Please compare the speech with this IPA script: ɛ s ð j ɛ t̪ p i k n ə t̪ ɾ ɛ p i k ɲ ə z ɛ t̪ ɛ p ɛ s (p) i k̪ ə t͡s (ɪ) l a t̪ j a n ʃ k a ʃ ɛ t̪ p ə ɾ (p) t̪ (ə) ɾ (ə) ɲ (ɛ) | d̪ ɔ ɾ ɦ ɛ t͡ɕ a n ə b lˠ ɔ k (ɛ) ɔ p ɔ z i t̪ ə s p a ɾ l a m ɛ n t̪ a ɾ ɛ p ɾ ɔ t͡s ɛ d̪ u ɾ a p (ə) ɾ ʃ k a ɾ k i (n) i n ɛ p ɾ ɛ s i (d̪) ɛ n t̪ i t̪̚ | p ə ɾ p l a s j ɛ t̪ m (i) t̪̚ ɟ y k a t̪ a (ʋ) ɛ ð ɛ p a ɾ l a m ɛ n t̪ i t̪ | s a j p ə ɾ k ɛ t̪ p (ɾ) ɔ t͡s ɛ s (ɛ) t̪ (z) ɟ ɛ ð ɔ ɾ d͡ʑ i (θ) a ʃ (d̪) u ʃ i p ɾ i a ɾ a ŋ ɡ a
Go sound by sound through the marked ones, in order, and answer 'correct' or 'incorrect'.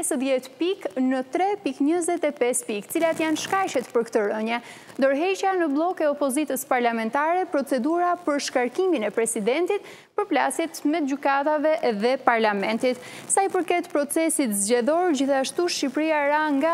correct, incorrect, incorrect, correct, correct, correct, correct, correct, incorrect, correct, incorrect, incorrect, correct, incorrect, correct, correct, incorrect

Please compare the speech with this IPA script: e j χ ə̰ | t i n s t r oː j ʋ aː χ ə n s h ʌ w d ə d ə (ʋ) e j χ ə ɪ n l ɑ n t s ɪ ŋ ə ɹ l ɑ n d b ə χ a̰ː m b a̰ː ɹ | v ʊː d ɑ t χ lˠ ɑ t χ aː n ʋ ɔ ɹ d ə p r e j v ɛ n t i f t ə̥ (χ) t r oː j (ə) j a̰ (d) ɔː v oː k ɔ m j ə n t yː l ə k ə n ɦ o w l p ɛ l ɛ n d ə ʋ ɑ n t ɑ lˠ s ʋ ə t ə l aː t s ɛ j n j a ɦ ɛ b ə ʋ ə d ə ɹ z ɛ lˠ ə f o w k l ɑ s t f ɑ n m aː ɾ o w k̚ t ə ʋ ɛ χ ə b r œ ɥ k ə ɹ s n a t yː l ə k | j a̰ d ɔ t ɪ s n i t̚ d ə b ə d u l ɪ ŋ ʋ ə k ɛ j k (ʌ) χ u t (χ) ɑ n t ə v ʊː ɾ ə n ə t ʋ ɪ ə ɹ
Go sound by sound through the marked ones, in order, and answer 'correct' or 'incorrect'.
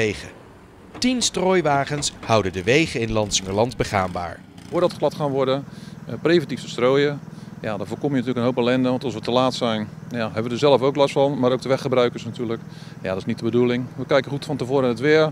correct, incorrect, correct, correct, incorrect, incorrect

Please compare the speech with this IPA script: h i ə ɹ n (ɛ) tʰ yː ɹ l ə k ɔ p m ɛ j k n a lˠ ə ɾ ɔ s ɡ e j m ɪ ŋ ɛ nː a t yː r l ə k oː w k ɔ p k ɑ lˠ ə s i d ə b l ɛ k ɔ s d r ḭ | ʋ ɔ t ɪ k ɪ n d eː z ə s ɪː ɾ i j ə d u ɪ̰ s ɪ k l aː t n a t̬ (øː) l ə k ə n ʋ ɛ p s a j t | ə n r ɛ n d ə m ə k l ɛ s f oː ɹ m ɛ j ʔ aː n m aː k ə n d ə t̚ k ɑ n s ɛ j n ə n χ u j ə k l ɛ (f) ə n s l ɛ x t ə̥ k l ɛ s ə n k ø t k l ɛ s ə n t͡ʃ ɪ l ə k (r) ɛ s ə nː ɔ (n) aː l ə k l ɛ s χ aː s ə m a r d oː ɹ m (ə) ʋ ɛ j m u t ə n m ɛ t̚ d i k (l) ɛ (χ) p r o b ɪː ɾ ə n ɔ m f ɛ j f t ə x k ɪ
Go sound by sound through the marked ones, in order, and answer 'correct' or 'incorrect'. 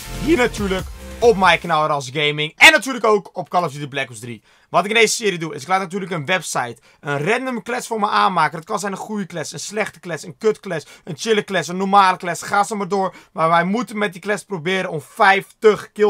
incorrect, incorrect, incorrect, incorrect, incorrect, incorrect, correct, incorrect

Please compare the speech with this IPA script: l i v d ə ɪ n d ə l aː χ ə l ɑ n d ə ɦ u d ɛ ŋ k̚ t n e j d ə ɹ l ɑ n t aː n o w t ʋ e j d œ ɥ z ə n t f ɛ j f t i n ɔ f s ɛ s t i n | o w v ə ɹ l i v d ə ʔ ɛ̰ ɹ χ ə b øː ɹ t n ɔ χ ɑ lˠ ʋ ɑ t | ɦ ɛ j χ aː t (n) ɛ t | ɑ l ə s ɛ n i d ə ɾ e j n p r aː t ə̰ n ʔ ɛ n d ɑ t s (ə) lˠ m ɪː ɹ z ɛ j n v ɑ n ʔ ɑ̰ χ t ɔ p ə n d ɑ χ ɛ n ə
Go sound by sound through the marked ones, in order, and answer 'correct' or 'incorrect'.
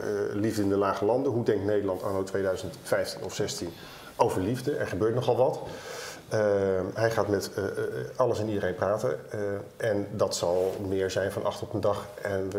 incorrect, incorrect

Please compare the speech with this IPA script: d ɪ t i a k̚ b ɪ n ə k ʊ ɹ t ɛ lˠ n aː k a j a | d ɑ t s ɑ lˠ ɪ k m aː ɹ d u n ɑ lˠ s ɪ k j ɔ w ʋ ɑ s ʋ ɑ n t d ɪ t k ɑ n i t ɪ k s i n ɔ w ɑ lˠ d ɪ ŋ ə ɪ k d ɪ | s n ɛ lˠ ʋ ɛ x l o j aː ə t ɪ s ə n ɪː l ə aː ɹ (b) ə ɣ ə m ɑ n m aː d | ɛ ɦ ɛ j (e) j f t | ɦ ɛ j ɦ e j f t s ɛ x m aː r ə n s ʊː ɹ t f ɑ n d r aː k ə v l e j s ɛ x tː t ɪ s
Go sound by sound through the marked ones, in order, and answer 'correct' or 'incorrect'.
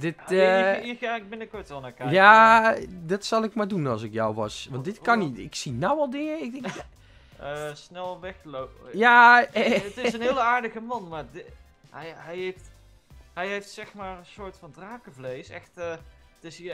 incorrect, correct

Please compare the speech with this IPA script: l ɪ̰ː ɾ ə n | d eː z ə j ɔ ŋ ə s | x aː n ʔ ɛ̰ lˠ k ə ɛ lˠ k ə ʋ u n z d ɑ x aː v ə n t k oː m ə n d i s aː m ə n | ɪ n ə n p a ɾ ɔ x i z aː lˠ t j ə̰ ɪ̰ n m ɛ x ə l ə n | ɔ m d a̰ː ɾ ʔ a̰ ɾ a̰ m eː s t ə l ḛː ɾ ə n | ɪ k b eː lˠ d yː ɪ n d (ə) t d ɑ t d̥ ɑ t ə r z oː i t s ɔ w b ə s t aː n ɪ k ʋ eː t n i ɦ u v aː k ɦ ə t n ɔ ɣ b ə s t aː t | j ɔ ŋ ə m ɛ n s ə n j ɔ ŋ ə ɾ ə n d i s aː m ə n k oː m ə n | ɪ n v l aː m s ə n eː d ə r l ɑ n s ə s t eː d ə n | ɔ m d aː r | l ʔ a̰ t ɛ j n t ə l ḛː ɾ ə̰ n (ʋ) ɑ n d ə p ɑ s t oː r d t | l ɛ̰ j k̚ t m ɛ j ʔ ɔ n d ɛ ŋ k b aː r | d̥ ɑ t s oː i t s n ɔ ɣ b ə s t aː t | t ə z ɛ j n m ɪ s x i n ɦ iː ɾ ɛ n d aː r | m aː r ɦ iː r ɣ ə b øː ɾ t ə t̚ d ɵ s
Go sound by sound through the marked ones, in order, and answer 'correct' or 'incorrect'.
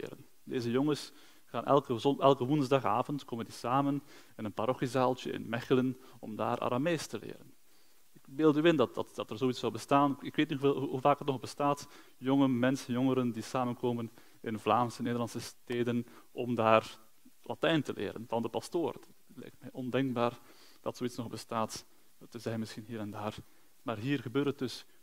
incorrect, incorrect

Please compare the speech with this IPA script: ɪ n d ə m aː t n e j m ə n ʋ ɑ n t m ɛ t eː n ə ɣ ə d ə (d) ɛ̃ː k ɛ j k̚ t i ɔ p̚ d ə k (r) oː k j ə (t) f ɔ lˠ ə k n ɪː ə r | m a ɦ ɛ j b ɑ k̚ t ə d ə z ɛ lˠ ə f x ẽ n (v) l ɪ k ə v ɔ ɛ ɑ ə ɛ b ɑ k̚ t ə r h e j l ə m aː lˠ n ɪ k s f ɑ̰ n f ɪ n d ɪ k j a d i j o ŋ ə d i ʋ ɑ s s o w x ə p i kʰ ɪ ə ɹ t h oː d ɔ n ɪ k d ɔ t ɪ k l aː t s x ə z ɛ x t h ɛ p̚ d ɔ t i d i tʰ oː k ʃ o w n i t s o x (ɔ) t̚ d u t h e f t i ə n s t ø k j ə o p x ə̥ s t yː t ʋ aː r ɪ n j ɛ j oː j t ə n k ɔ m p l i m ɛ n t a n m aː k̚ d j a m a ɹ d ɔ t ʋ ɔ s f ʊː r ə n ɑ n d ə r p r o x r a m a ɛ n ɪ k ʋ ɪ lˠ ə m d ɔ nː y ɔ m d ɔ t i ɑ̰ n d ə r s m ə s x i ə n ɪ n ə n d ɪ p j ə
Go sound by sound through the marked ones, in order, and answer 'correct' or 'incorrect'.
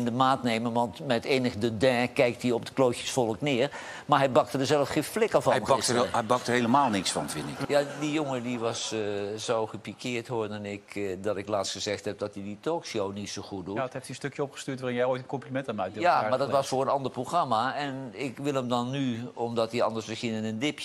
correct, incorrect, incorrect, incorrect, incorrect

